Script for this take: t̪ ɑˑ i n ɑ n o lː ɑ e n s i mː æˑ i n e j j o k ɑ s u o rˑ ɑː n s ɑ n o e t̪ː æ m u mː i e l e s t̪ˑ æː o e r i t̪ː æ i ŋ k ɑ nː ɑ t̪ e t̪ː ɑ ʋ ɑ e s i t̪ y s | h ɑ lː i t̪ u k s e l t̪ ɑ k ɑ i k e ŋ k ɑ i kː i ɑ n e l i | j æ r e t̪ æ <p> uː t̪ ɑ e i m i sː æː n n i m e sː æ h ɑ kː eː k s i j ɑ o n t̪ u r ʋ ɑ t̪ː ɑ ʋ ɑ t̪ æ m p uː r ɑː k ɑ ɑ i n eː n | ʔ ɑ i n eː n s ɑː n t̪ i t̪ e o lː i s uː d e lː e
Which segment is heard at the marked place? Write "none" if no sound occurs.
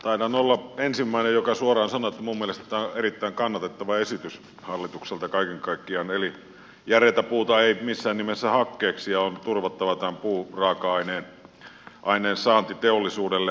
p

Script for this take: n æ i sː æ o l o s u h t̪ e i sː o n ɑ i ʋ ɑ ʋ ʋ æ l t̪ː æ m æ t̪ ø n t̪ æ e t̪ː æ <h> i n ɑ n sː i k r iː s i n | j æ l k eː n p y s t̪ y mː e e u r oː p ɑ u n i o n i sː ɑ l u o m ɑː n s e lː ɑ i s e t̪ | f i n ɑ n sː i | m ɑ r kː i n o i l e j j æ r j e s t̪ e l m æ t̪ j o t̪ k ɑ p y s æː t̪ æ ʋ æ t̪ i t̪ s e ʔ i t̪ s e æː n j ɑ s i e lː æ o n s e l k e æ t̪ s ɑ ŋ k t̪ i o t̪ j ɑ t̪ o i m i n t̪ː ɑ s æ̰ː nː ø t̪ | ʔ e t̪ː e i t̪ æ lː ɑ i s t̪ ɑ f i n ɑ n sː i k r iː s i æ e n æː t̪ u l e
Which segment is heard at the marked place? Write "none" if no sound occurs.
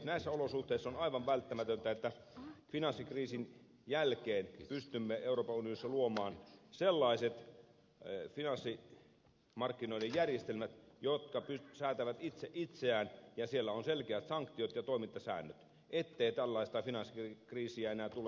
f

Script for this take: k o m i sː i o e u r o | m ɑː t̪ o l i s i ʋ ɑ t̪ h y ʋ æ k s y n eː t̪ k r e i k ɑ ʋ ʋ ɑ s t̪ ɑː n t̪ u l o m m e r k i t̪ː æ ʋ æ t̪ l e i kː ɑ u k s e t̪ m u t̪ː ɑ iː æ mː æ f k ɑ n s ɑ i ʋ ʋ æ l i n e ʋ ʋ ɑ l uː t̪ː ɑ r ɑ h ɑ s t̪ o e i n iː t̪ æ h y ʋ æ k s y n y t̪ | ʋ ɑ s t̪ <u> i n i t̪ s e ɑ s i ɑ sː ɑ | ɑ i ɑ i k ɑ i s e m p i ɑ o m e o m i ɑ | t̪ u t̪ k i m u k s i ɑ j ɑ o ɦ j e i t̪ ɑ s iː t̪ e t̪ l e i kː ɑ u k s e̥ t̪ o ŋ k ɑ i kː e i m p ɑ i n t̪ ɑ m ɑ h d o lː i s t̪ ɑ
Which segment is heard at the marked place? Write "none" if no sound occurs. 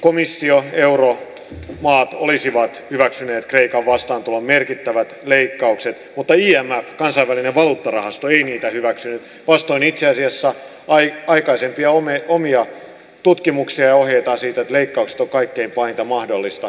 o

